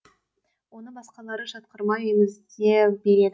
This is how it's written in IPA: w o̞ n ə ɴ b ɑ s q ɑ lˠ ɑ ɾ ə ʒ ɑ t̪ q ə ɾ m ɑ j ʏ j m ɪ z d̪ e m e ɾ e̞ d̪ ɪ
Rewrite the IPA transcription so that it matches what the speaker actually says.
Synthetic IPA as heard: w o̞ n ə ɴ b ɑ s q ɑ lˠ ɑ ɾ ə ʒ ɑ t̪ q ə ɾ m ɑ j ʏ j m ɪ z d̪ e b e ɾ e̞ d̪ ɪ

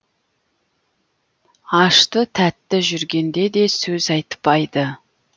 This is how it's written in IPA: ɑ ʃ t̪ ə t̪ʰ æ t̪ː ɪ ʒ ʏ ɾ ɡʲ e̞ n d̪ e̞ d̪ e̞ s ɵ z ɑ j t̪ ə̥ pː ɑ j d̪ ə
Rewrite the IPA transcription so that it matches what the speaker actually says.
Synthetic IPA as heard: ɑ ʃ t̪ ə t̪ʰ æ t̪ː ɪ ʒ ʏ ɾ ɡʲ e̞ n d̪ e̞ d̪ e̞ s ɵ z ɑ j t̪ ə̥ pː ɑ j d̪ ə

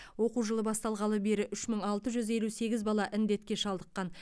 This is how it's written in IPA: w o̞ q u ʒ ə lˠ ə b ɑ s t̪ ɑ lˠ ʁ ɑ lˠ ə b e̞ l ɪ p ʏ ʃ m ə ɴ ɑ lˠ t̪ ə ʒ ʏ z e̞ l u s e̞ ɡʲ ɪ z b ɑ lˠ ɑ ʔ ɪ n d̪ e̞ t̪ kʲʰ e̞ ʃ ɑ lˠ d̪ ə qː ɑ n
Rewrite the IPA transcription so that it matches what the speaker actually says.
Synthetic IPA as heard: w o̞ q u ʒ ə lˠ ə b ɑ s t̪ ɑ lˠ ʁ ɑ lˠ ə b e̞ ɾ ɪ ʔ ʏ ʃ m ə ɴ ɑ lˠ t̪ ə ʒ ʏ z e̞ l u s e̞ ɡʲ ɪ z b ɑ lˠ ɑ ʔ ɪ n d̪ e̞ t̪ kʲ e̞ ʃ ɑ lˠ d̪ ə qː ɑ n

